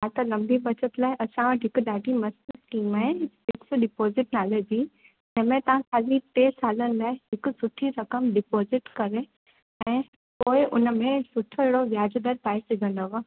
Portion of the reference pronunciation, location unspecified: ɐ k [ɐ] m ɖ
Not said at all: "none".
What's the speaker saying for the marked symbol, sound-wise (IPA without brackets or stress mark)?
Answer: ə